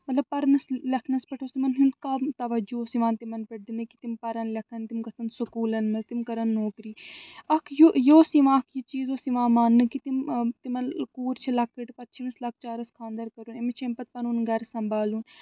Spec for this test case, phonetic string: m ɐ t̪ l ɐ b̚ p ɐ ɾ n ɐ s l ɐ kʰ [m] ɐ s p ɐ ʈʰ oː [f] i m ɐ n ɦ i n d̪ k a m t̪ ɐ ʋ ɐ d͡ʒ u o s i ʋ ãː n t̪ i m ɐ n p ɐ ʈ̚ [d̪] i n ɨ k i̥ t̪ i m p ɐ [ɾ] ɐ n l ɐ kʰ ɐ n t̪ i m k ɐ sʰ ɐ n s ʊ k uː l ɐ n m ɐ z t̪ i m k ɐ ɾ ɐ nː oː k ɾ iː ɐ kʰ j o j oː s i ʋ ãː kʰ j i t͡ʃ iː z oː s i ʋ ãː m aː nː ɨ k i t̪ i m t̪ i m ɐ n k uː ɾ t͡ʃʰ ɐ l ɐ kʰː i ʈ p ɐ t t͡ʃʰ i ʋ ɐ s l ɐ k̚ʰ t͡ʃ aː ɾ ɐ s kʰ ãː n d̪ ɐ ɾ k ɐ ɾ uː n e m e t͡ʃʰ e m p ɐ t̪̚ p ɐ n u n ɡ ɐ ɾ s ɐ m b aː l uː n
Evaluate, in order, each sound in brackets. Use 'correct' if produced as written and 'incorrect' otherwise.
incorrect: n, incorrect: s, correct, correct

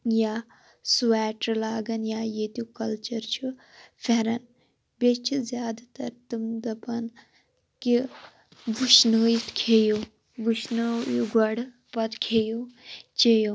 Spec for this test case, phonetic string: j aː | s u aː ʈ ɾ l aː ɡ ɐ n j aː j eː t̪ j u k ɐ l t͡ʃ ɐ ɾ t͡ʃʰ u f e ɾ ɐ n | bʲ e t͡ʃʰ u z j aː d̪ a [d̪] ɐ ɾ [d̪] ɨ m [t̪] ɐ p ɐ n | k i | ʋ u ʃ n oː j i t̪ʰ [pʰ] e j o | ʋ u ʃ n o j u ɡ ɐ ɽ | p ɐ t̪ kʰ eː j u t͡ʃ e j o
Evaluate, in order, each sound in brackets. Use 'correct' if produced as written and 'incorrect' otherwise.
incorrect: t̪, incorrect: t̪, incorrect: d̪, incorrect: kʰ

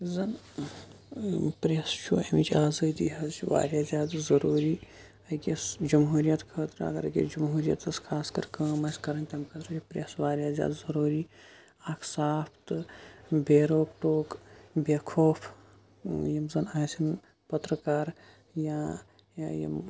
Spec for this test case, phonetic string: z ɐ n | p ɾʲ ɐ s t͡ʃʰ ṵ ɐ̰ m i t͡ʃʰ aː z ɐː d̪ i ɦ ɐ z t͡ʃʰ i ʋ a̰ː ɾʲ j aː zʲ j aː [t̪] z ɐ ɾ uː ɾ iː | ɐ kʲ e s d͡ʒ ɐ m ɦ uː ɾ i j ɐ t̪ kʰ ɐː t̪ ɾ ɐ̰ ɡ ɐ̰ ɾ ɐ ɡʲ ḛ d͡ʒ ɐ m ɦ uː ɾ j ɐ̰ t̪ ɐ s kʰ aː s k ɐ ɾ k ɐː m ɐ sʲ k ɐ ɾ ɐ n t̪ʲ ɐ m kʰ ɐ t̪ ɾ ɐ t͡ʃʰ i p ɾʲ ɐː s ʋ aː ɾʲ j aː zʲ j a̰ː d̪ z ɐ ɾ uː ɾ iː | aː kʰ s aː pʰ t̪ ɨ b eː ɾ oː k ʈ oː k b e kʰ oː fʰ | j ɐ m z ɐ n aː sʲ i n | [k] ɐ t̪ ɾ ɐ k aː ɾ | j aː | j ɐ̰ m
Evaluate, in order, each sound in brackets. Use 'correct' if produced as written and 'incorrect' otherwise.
incorrect: d̪, incorrect: p

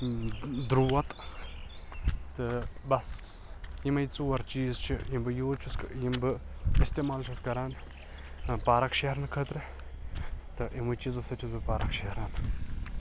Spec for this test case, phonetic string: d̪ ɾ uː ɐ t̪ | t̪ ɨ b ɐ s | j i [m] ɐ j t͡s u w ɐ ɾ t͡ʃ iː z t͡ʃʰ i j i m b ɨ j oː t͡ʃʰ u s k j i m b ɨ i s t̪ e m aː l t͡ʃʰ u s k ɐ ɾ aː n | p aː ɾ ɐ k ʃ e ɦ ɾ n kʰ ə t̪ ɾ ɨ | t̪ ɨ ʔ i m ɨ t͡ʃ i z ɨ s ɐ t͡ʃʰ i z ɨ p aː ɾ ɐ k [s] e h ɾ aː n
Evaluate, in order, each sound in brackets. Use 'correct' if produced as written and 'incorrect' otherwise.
correct, incorrect: ʃ

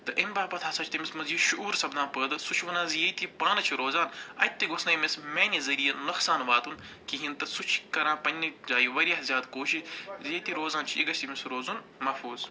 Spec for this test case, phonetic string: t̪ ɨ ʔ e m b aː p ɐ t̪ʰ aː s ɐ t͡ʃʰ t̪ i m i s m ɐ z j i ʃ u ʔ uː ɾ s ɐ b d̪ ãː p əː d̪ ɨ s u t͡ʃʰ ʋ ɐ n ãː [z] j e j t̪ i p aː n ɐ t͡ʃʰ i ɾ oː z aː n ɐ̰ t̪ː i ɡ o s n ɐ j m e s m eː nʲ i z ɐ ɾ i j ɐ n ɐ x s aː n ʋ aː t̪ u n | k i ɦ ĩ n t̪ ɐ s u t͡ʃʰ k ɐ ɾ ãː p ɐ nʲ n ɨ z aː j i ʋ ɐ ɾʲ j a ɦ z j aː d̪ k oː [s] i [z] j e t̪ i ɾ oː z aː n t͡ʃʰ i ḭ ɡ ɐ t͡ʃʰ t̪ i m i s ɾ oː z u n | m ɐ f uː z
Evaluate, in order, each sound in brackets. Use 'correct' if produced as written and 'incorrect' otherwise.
correct, incorrect: ʃ, correct

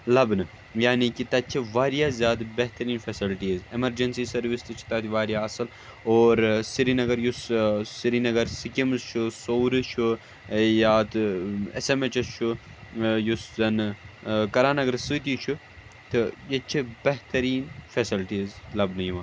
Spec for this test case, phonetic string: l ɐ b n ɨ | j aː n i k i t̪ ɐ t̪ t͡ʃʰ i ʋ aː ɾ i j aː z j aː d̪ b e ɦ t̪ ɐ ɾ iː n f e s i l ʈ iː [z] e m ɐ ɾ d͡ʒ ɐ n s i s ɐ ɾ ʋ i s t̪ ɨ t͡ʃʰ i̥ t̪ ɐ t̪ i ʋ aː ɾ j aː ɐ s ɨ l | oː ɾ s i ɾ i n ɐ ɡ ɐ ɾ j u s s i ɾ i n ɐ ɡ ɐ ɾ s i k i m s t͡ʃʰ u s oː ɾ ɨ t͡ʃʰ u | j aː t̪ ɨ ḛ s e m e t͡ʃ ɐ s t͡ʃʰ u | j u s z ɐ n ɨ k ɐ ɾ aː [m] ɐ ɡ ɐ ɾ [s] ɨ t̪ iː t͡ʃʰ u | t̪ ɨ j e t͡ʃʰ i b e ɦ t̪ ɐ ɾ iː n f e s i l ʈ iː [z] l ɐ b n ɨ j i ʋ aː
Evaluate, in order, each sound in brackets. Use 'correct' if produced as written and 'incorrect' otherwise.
correct, incorrect: n, correct, correct

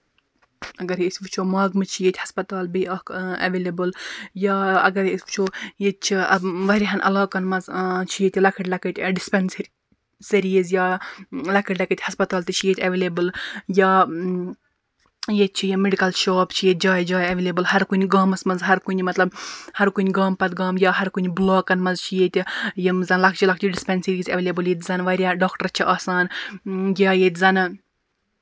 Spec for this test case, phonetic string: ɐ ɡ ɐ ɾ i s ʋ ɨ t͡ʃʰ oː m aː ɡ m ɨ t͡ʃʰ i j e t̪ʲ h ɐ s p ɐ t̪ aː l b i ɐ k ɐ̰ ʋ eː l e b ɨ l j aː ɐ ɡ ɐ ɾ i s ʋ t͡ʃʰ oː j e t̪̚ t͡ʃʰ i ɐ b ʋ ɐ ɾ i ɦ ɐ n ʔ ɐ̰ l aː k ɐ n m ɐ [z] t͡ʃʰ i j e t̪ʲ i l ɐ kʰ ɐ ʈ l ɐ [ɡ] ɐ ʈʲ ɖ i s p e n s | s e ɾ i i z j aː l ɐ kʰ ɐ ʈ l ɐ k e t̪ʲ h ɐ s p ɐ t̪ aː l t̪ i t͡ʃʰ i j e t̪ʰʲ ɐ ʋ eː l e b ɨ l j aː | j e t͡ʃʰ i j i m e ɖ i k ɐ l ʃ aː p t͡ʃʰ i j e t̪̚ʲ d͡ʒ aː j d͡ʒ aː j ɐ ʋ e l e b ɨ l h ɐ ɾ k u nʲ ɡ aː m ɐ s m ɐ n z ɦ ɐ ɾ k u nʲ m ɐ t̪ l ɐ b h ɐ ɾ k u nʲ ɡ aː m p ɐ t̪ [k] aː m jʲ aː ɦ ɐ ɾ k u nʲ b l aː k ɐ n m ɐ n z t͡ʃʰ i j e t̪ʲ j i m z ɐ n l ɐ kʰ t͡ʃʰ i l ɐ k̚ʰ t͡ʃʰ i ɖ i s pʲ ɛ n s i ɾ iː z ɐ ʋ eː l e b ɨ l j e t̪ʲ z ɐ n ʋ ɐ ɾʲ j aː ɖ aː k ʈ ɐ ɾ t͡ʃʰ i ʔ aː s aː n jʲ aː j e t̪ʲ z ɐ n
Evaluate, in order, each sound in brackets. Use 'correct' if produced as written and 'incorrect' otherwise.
correct, incorrect: k, incorrect: ɡ

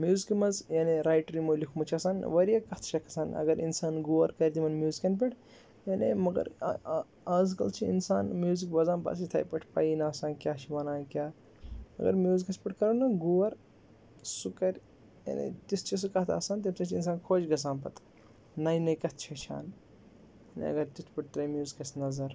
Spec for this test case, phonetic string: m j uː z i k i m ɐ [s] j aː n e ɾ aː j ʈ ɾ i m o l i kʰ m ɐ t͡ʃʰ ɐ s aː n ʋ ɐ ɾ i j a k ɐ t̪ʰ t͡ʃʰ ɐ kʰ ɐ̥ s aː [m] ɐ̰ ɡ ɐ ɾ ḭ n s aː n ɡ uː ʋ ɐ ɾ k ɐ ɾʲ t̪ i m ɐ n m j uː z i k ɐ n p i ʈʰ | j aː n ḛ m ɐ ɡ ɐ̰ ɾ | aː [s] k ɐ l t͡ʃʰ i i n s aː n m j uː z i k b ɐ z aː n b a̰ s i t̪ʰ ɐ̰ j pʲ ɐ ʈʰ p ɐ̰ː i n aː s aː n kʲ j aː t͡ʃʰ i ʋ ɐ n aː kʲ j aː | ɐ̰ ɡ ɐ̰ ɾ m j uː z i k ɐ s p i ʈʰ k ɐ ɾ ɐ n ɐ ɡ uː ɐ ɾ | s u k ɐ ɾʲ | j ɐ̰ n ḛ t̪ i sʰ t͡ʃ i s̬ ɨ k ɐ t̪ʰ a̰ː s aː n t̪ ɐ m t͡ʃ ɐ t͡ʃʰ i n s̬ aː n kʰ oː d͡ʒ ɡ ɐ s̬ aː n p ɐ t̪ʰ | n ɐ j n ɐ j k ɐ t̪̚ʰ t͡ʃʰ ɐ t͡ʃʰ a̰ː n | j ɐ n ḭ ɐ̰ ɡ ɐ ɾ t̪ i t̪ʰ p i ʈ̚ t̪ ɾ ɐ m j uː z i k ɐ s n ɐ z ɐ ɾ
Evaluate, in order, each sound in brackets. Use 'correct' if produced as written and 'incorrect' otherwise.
incorrect: z, incorrect: n, incorrect: z

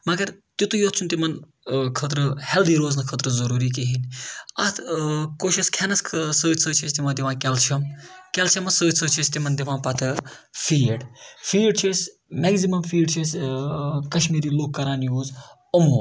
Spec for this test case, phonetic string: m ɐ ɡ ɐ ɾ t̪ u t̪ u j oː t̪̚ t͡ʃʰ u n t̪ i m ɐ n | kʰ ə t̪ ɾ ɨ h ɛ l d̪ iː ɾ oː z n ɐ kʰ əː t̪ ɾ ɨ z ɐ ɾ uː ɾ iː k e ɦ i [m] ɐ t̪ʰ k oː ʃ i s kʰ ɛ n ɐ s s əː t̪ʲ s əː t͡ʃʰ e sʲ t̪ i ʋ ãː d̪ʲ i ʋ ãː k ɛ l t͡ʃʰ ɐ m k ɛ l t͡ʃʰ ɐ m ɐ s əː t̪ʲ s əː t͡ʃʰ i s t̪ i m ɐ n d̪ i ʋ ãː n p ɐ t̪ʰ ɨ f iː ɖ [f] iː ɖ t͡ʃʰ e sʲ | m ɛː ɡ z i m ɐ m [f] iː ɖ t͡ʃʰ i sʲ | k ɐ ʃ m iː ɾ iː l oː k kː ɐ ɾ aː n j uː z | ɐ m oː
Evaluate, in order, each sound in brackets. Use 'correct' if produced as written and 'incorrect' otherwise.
incorrect: n, correct, correct

